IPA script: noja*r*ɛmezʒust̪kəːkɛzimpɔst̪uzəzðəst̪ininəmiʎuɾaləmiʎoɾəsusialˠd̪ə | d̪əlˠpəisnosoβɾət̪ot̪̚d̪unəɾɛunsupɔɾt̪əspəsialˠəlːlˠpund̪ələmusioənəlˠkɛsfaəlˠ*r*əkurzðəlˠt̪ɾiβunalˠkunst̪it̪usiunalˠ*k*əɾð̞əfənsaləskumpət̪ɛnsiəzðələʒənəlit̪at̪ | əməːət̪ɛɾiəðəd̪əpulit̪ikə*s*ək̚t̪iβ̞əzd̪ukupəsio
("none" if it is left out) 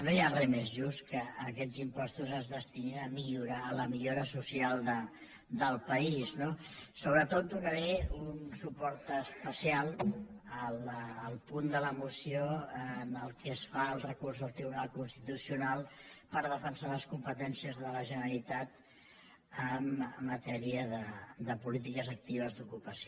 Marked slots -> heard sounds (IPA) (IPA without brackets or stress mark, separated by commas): r, r, p, z